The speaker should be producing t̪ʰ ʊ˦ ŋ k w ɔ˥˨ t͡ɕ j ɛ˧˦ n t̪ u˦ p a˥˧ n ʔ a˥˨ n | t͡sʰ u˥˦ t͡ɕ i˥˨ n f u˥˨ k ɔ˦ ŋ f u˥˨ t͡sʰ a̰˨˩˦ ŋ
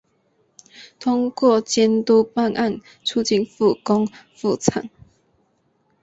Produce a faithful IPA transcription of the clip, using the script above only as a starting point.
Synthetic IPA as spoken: t̪ʰ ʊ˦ ŋ k w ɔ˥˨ t͡ɕ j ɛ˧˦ n t̪ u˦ p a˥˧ n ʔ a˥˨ n | t͡sʰ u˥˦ t͡ɕ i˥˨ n f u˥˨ k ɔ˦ ŋ f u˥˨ t͡sʰ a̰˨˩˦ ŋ